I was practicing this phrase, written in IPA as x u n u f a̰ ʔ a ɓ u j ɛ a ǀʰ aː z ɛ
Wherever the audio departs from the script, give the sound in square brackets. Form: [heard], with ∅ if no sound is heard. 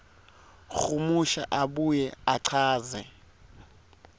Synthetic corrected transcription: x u [m] u [ʃ] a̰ ʔ a ɓ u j ɛ a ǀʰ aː z ɛ